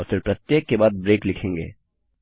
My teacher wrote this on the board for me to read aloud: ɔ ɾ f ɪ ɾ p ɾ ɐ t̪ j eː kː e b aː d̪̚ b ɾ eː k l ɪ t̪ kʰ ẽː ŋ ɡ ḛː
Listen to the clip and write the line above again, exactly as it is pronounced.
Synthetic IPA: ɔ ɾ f ɪ ɾ p ɾ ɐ t̪ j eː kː e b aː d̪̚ b ɾ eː k l ɪ kʰ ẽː ŋ ɡ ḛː

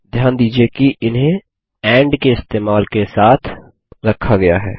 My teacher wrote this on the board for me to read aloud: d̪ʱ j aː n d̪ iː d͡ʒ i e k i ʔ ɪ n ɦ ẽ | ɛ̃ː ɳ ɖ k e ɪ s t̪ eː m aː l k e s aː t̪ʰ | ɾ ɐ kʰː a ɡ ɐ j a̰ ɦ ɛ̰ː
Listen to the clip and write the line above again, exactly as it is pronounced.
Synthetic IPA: d̪ʱ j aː n d̪ iː d͡ʒ i e k i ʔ ɪ n ɦ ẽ | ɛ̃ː ɳ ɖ k e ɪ s t̪ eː m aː l k e s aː t̪ʰ | ɾ ɐ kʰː a ɡ ɐ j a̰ ɦ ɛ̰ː

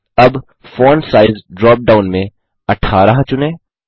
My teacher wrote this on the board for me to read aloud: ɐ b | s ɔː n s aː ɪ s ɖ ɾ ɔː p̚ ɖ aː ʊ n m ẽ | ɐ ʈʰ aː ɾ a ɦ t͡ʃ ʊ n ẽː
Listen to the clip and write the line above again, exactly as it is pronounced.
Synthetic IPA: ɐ b | f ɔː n s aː ɪ z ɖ ɾ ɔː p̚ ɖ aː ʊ n m ẽ | ɐ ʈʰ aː ɾ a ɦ t͡ʃ ʊ n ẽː

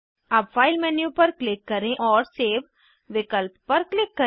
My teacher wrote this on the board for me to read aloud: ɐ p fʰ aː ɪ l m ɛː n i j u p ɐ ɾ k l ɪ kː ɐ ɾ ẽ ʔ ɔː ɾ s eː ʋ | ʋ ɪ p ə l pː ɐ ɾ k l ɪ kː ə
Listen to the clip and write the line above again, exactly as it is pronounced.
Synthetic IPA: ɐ b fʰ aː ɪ l m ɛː n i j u p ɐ ɾ k l ɪ kː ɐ ɾ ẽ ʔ ɔː ɾ s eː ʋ | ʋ ɪ k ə l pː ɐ ɾ k l ɪ kː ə

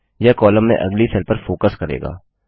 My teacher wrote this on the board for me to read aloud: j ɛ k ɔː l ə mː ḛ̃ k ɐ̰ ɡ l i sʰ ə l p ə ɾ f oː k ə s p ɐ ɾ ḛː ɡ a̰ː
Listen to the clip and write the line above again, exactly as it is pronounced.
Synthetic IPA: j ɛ k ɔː l ə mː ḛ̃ ʔ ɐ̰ ɡ l i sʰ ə l p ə ɾ f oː k ə s k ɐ ɾ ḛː ɡ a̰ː

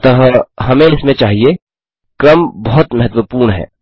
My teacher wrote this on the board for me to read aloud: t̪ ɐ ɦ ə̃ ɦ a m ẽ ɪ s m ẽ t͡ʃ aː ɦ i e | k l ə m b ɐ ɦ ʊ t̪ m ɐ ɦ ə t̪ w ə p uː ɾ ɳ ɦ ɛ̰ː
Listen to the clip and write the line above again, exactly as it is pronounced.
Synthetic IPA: t̪ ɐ ɦ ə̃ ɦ ɐ m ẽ ɪ s m ẽ t͡ʃ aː ɦ i e | k ɾ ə m b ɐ ɦ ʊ t̪ m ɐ ɦ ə t̪ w ə p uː ɾ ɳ ɦ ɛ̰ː

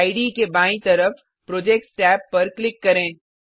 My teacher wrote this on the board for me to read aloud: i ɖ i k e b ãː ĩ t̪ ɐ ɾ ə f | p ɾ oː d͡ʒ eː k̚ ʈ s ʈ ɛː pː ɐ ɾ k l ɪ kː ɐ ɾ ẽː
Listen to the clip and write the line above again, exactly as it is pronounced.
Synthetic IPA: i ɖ i k e b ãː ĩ t̪ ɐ ɾ ə f | p ɾ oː d͡ʒ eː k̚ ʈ s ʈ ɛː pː ɐ ɾ k l ɪ kː ɐ ɾ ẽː

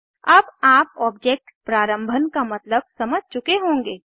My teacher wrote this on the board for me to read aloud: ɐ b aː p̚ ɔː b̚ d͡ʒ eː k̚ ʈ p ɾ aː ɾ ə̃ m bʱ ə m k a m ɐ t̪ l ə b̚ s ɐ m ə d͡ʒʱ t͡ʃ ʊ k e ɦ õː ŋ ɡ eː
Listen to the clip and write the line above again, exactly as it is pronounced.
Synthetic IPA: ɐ b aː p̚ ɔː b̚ d͡ʒ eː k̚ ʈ p ɾ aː ɾ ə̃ m bʱ ə n k a m ɐ t̪ l ə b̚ s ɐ m ə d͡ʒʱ t͡ʃ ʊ k e ɦ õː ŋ ɡ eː

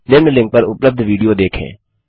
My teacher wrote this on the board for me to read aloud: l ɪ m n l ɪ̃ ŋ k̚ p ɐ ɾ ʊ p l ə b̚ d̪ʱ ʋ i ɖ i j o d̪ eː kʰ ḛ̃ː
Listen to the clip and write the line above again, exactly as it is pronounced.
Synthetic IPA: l ɪ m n l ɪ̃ ŋ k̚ p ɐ ɾ ʊ p l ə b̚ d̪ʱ ʋ iː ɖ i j o d̪ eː kʰ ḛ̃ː

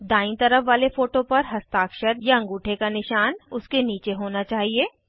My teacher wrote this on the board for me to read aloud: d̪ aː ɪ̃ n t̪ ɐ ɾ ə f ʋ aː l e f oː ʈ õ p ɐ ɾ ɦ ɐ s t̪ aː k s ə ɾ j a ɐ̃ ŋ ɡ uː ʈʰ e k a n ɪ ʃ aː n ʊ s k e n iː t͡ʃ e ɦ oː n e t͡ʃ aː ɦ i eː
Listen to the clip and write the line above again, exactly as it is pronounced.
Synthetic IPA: d̪ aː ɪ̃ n t̪ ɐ ɾ ə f ʋ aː l e f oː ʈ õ p ɐ ɾ ɦ ɐ s t̪ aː k ʃ ə ɾ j a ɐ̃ ŋ ɡ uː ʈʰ e k a n ɪ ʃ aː n ʊ s k e n iː t͡ʃ e ɦ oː n a t͡ʃ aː ɦ i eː

